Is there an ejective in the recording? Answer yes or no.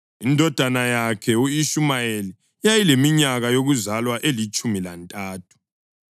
yes